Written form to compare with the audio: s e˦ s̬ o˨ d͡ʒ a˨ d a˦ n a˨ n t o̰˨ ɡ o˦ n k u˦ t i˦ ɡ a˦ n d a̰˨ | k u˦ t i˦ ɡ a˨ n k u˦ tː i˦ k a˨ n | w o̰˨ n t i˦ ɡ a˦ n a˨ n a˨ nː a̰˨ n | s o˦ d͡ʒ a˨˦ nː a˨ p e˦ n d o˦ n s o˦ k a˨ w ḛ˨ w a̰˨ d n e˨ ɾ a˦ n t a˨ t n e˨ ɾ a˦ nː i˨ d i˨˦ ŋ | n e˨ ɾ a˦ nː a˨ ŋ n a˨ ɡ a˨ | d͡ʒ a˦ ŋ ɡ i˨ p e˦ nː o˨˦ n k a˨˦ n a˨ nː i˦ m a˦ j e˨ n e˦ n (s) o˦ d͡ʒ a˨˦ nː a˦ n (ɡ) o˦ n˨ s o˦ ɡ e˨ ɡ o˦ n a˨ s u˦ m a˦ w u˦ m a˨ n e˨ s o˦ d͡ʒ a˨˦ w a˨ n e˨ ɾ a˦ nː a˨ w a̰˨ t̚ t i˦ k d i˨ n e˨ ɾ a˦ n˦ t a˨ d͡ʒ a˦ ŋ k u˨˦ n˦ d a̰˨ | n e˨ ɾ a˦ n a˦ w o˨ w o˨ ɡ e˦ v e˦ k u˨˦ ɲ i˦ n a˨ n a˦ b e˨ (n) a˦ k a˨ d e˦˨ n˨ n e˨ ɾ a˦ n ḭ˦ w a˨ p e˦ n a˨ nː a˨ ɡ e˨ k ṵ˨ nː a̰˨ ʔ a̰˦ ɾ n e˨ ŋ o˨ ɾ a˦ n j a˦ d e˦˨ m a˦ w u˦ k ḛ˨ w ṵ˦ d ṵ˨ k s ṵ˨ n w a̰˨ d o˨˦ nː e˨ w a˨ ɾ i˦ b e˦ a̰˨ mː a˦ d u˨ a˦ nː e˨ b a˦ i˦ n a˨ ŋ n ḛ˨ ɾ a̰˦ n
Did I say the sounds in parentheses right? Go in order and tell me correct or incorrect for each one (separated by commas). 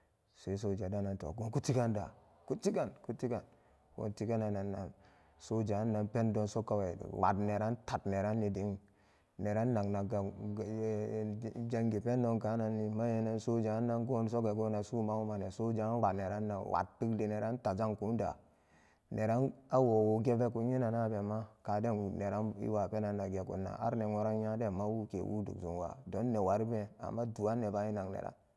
correct, correct, incorrect